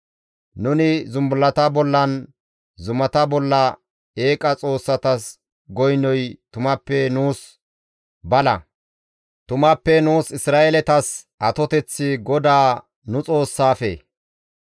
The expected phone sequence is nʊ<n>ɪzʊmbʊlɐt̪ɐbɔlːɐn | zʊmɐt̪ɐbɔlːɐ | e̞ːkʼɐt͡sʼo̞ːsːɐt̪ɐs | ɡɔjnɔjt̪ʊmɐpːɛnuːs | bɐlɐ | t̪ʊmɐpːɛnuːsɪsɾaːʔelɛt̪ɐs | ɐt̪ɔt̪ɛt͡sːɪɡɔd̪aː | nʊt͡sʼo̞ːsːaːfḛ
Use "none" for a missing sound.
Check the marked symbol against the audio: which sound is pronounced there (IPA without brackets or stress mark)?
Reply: n